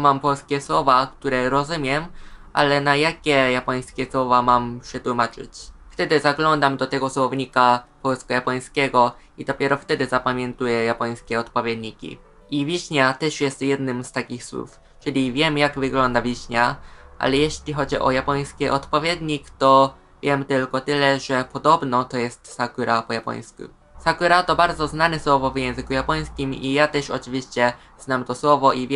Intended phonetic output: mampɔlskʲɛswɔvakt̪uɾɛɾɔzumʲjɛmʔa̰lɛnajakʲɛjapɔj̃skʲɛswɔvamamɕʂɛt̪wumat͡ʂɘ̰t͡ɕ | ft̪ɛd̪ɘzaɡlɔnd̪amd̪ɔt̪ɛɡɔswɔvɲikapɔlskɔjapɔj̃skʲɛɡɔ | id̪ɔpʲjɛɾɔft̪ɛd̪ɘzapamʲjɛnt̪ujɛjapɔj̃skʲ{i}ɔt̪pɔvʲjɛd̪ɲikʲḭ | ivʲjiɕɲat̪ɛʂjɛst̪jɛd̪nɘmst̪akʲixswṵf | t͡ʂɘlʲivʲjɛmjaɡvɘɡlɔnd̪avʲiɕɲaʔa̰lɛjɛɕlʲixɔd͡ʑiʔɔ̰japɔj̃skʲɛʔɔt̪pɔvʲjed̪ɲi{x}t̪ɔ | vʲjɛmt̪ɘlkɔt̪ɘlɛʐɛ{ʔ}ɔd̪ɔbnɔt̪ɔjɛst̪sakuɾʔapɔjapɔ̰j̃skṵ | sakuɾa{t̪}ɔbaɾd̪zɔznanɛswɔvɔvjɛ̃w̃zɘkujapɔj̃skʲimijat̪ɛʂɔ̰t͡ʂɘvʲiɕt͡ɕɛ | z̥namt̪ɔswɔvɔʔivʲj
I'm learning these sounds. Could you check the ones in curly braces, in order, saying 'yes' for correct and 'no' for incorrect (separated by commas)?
no, no, no, yes